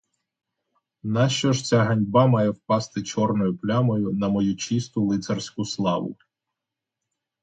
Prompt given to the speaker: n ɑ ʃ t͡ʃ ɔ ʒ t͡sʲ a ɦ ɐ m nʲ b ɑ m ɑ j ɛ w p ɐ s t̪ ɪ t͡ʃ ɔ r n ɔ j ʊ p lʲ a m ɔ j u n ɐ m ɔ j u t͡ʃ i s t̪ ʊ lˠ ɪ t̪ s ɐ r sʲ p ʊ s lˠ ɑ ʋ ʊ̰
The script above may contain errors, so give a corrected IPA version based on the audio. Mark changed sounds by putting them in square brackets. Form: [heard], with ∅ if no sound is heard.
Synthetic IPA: n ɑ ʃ t͡ʃ ɔ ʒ t͡sʲ a ɦ ɐ [∅] nʲ b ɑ m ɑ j ɛ w p [ɑ] s t̪ ɪ t͡ʃ ɔ r n ɔ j ʊ p lʲ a m ɔ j [ʊ] n ɐ m ɔ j u t͡ʃ i s t̪ ʊ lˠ ɪ t̪ s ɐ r sʲ [k] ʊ s lˠ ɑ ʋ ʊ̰